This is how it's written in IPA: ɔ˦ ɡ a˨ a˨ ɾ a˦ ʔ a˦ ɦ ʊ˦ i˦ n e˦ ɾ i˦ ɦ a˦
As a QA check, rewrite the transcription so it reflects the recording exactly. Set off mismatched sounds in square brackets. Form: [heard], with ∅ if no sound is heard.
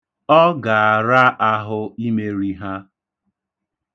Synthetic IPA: ɔ˦ ɡ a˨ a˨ ɾ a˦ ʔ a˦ ɦ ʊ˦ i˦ [m] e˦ ɾ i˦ ɦ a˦